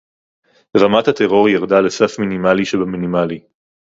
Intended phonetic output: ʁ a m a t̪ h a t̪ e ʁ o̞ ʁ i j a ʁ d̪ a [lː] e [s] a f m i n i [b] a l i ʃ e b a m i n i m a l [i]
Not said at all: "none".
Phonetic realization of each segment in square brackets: l, s, m, i

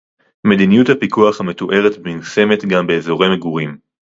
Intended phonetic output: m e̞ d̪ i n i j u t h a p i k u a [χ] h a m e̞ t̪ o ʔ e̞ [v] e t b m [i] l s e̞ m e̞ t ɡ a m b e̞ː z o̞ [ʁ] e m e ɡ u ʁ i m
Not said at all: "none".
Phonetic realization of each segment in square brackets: χ, ʁ, i, ʁ

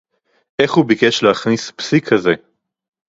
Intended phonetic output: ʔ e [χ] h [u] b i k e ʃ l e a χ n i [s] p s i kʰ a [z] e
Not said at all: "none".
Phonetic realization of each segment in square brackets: χ, u, s, z

